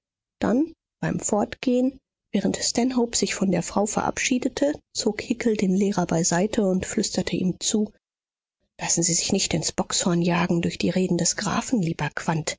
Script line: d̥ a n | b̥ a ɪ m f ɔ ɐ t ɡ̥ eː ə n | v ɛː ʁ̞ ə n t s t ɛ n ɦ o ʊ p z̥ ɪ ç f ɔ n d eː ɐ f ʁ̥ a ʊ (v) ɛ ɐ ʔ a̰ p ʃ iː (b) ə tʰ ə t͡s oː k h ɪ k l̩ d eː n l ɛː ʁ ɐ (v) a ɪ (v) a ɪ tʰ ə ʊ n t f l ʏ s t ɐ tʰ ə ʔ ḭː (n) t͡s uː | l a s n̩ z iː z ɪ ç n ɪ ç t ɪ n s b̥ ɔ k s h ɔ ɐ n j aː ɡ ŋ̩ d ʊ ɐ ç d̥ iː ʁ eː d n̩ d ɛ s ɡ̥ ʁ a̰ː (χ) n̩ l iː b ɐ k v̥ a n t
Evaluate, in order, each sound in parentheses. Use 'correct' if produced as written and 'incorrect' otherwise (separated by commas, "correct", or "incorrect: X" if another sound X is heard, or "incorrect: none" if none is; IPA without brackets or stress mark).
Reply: incorrect: f, incorrect: d, incorrect: b, incorrect: z, incorrect: m, incorrect: f